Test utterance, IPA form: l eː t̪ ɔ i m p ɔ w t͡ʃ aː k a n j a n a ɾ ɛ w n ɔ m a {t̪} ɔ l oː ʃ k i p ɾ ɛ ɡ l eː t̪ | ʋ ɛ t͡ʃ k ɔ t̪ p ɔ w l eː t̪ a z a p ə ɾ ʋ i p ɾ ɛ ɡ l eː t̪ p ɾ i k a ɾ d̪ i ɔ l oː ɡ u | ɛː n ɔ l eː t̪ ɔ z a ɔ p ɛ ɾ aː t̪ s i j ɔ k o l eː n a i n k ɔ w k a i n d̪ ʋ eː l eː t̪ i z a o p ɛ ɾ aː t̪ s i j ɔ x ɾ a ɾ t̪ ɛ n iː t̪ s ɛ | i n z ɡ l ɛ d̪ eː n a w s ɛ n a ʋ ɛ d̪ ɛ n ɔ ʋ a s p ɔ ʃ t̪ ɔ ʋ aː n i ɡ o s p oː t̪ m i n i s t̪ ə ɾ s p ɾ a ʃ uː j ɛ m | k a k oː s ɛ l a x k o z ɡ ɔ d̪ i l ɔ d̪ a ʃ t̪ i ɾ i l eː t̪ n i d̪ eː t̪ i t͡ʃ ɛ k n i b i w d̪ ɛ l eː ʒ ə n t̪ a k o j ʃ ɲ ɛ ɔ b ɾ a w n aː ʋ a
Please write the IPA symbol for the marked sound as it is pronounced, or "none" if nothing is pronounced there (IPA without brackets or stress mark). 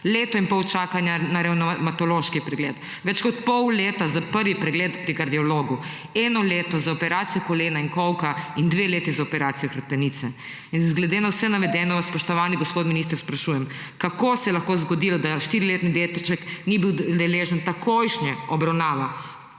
t̪